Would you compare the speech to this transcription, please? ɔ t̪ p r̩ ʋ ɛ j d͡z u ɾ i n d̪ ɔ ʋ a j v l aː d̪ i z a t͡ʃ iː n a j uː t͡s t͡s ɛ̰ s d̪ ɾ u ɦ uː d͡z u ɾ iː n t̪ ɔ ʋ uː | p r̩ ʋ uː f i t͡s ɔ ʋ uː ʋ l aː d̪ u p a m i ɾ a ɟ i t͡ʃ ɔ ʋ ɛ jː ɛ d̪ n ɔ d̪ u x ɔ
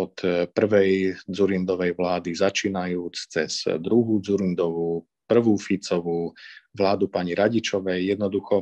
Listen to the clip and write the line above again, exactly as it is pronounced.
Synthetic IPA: ɔ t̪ p r̩ ʋ ɛ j d͡z u ɾ i n d̪ ɔ ʋ ɛ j ʋ l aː d̪ i z a t͡ʃ iː n a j uː t͡s t͡s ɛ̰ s d̪ ɾ u ɦ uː d͡z u ɾ i n d̪ ɔ ʋ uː | p r̩ ʋ uː f i t͡s ɔ ʋ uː ʋ l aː d̪ u p a ɲ i ɾ a ɟ i t͡ʃ ɔ ʋ ɛ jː ɛ d̪ n ɔ d̪ u x ɔ